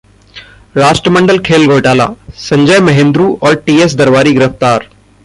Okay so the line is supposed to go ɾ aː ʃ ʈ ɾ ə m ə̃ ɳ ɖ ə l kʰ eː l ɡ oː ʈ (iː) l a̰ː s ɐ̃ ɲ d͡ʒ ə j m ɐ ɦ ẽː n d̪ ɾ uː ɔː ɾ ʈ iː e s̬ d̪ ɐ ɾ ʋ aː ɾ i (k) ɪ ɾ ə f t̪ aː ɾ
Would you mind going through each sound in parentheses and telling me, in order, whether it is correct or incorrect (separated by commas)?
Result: incorrect, incorrect